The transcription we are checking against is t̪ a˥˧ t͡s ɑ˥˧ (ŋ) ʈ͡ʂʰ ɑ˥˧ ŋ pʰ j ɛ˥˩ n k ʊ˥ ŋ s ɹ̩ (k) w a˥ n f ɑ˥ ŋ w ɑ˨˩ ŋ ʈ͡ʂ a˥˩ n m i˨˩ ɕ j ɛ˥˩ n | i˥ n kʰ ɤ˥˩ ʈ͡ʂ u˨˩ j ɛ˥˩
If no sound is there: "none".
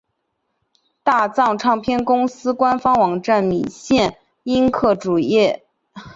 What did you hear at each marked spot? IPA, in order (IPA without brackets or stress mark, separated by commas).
ŋ, k